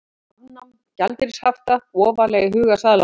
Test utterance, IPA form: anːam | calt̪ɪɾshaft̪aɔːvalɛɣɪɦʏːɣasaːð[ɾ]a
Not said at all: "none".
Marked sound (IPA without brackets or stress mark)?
l